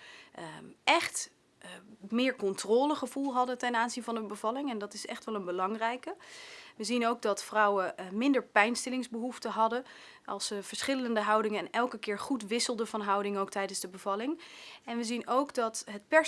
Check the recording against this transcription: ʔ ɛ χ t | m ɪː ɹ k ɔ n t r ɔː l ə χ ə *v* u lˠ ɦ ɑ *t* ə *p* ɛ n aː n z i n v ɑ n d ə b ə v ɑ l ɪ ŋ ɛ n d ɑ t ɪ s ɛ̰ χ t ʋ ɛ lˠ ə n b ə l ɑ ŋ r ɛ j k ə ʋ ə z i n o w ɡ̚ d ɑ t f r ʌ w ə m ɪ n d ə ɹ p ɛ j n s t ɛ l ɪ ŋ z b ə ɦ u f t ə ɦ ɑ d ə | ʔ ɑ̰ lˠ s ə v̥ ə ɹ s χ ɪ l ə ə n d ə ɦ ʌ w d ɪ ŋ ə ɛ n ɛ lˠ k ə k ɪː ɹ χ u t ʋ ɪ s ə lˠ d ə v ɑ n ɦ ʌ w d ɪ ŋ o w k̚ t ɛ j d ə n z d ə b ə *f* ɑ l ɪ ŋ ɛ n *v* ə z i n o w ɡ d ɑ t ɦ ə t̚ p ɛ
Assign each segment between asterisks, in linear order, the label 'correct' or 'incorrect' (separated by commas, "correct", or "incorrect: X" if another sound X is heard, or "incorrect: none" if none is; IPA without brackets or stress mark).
correct, incorrect: d, incorrect: t, incorrect: v, incorrect: ʋ